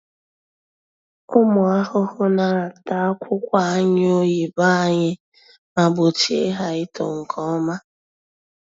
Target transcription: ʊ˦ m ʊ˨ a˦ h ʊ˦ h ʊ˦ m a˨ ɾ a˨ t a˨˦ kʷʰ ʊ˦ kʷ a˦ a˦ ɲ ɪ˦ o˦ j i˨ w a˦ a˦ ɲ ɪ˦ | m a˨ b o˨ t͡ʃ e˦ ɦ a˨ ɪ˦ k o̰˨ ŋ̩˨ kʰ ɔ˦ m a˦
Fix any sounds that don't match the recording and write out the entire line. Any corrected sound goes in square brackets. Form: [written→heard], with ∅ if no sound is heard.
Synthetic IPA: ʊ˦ m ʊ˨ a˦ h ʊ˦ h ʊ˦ [m→n] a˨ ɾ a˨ t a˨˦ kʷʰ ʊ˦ kʷ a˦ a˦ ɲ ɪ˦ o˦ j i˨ [w→b] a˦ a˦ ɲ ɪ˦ | m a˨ b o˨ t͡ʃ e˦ ɦ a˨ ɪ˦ [k→t] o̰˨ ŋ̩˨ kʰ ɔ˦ m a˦